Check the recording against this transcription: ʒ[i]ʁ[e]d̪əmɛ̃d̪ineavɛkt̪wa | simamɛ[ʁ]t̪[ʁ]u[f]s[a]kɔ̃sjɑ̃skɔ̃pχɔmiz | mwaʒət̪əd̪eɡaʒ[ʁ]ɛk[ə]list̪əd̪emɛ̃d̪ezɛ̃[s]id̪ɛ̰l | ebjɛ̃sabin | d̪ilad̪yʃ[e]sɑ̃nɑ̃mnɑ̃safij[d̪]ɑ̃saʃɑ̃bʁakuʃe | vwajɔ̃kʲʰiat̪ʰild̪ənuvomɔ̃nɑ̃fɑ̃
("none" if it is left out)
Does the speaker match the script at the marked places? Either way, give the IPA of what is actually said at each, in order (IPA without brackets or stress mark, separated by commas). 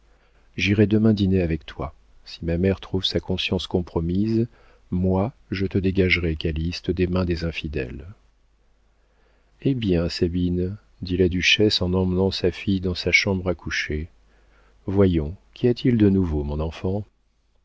i, ɛ, ʁ, χ, v, a, ʁ, a, f, ɛ, d̪